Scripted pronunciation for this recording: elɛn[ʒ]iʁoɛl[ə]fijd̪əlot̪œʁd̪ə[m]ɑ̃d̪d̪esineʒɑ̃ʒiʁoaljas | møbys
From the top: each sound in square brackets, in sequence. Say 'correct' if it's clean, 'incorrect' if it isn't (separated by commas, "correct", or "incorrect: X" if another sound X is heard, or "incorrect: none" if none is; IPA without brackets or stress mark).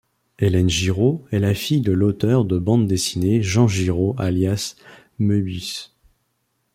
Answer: correct, incorrect: a, incorrect: b